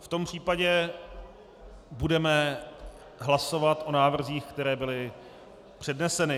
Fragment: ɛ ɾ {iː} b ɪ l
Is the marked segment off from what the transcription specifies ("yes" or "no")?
yes